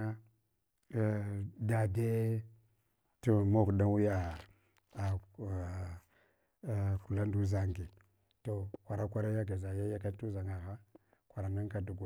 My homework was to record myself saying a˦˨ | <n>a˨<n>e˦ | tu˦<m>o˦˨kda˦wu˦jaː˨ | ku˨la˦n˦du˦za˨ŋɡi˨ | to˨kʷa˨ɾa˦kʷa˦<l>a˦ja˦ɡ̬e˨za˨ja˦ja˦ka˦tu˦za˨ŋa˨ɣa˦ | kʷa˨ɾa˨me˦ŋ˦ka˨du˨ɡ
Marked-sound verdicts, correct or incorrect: incorrect: d, incorrect: d, correct, incorrect: ɾ

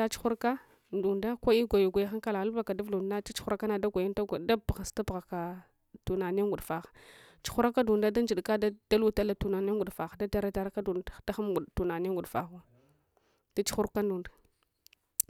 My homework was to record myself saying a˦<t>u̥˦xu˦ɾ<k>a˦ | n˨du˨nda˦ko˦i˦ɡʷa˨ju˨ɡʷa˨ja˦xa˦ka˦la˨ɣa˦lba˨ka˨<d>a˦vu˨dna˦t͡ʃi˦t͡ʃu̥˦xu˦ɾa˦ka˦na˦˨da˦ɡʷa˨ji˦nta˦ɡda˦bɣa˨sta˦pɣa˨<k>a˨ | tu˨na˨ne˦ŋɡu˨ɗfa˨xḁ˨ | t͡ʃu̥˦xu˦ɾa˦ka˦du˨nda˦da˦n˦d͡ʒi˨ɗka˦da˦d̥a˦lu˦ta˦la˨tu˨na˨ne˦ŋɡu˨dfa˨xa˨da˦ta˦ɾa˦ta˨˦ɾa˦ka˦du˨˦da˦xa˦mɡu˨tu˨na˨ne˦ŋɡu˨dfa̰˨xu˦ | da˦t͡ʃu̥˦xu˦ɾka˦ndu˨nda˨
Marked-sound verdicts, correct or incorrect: incorrect: t͡ʃ, correct, correct, correct

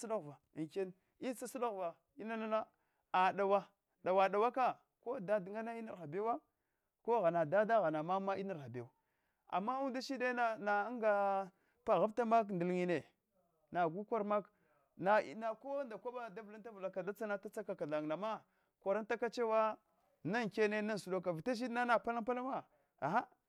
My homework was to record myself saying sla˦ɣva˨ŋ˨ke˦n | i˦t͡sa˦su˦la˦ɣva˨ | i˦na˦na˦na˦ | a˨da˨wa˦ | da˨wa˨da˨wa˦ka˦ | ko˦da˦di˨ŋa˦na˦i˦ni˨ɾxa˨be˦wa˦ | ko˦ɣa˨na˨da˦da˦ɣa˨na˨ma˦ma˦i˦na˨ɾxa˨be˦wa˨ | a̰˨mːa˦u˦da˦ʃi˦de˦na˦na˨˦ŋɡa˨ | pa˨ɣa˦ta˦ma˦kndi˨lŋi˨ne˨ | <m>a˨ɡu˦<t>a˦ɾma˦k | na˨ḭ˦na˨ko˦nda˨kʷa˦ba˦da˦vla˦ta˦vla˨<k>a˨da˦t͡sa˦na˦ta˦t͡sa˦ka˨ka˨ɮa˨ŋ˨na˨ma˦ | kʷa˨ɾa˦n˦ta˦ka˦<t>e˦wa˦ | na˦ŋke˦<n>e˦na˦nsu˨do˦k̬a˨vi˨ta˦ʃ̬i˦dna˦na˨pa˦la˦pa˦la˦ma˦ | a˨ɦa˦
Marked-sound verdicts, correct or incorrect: incorrect: n, incorrect: k, correct, incorrect: t͡ʃ, correct

